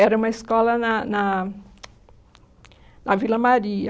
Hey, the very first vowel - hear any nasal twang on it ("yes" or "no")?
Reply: no